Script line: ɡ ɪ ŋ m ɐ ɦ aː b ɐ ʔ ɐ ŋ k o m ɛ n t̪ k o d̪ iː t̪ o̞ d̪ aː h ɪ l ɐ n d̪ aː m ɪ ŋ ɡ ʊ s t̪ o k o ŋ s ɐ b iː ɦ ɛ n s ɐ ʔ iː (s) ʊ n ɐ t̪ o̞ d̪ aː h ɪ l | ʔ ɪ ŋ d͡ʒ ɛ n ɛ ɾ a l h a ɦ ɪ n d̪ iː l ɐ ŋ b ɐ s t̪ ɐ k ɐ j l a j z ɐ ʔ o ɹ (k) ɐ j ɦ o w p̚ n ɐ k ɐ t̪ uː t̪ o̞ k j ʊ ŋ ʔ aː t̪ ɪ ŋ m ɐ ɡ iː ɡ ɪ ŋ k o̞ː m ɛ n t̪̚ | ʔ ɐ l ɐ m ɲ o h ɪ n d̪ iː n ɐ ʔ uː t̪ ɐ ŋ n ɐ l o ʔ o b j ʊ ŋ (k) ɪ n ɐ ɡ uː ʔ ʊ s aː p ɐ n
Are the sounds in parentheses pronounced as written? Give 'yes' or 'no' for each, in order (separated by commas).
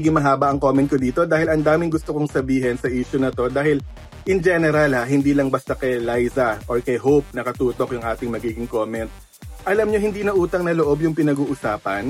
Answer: no, yes, no